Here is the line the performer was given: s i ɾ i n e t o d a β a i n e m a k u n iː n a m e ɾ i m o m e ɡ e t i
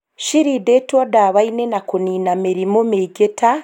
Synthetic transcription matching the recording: ʃ i ɾ i d e t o d a β a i n e n a k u n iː n a m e ɾ i m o m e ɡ e t a